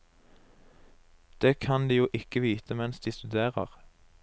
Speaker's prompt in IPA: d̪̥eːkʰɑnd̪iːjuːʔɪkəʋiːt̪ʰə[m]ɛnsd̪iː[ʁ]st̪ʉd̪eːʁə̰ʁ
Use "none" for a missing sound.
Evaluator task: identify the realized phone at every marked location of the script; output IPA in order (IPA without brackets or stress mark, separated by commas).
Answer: m, none